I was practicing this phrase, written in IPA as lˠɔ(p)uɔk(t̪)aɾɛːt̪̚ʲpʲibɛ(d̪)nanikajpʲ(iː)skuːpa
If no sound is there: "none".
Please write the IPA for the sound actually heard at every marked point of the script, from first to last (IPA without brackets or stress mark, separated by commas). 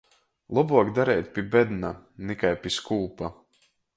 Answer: b, d̪, d̪, i